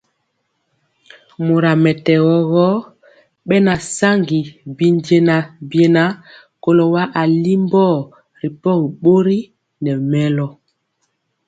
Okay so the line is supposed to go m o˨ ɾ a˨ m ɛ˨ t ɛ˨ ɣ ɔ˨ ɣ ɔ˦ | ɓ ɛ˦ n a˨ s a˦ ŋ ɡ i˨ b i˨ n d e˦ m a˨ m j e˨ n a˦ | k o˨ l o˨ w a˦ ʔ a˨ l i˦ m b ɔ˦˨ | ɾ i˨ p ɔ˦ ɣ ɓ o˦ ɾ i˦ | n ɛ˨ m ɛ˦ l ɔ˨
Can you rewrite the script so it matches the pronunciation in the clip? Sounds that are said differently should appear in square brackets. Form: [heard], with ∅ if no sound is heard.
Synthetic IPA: m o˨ ɾ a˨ m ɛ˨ t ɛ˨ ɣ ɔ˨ ɣ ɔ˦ | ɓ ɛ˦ n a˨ s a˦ ŋ ɡ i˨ b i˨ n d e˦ [n] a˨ [b] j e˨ n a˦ | k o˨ l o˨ w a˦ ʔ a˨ l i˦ m b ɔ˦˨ | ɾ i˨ p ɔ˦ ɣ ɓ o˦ ɾ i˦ | n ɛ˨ m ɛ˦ l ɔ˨